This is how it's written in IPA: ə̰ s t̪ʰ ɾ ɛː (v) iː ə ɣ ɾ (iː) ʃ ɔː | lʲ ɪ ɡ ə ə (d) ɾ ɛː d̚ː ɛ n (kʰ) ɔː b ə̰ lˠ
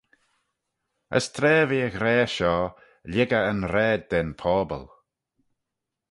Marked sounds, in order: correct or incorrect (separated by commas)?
correct, incorrect, incorrect, incorrect